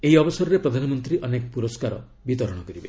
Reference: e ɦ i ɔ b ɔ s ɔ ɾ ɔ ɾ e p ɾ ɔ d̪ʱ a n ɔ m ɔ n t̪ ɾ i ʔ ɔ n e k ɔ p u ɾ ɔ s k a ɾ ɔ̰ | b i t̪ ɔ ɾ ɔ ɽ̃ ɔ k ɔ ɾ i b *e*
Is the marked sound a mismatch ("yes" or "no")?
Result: no